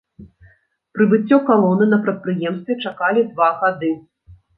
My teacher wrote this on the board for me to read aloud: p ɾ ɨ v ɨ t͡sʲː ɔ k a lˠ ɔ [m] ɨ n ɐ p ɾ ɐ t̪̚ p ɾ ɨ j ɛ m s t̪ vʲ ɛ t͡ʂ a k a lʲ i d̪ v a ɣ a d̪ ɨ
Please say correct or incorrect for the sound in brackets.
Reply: incorrect